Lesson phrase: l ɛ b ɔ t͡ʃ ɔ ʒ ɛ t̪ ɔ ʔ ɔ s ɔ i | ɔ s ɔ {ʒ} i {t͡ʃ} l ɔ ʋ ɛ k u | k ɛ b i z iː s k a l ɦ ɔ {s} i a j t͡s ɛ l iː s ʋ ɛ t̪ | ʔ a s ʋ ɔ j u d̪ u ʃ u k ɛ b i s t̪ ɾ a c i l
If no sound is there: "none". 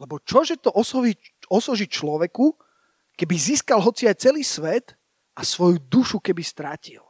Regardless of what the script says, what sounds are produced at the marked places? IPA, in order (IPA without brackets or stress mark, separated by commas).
ʒ, t͡ʃ, t͡s